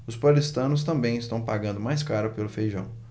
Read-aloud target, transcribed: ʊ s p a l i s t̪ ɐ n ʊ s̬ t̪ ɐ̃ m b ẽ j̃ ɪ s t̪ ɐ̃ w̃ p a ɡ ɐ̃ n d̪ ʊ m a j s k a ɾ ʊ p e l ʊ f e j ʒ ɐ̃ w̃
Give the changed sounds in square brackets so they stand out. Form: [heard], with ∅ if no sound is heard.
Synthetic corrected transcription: ʊ s p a l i s t̪ [ɐ̃] n ʊ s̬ t̪ ɐ̃ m b ẽ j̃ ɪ s t̪ ɐ̃ w̃ p a ɡ ɐ̃ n d̪ ʊ m a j s k a ɾ ʊ p e l ʊ f e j ʒ ɐ̃ w̃